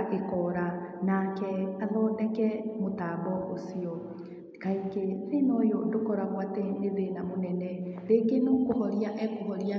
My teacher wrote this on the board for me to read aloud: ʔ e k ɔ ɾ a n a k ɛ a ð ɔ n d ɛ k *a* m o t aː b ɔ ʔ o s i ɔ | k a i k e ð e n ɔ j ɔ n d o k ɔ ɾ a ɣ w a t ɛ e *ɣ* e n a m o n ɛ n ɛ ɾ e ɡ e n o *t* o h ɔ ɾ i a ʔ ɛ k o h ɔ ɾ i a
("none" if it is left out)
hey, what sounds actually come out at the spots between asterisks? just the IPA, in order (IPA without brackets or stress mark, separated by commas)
ɛ, ð, k